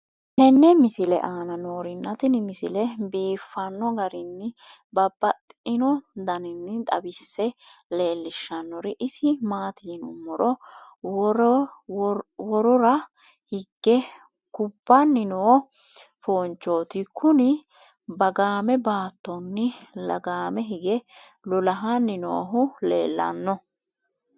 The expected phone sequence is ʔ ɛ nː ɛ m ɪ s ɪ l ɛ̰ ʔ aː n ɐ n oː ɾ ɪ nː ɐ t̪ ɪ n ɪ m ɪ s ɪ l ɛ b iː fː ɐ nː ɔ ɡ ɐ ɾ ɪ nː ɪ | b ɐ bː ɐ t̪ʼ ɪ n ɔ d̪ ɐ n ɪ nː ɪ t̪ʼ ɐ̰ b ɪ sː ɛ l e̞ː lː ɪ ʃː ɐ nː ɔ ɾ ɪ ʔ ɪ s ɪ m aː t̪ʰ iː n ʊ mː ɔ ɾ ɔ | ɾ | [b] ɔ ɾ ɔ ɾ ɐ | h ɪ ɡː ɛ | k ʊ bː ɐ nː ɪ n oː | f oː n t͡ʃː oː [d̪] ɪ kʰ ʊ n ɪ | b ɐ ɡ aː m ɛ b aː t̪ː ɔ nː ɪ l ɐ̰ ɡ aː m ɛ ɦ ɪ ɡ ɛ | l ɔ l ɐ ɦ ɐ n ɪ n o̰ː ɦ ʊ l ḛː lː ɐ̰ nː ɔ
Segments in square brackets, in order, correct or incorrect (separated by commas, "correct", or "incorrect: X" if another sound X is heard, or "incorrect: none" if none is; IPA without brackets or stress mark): incorrect: w, incorrect: t̪